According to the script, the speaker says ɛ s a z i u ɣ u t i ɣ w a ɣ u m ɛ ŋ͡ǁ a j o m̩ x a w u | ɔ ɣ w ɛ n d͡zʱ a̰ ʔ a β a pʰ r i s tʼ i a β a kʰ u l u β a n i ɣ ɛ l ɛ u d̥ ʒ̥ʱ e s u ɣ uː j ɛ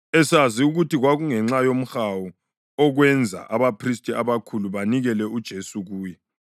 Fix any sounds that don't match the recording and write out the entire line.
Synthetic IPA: ɛ s a z i u ɣ u t i ɣ w a ɣ u ŋ ɛ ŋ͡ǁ a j o m̩ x a w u | ɔ ɣ w ɛ n d͡zʱ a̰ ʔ a β a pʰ r i s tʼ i a β a kʰ u l u β a n i ɣ ɛ l ɛ u d̥ ʒ̥ʱ e s u ɣ uː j ɛ